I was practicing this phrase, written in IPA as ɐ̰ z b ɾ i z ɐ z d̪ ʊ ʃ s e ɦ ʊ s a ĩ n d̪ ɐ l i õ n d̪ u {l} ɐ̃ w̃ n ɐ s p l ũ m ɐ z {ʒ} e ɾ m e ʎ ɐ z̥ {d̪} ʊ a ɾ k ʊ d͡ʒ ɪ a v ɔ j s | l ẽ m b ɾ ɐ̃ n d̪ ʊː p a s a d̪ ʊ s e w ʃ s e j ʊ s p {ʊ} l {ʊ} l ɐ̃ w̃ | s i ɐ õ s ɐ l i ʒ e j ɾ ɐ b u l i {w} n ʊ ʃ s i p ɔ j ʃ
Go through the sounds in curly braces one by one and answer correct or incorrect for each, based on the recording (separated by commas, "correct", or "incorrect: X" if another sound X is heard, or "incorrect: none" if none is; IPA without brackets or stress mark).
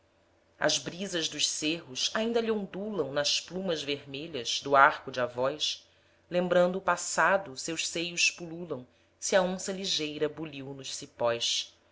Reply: correct, incorrect: v, correct, incorrect: u, incorrect: u, correct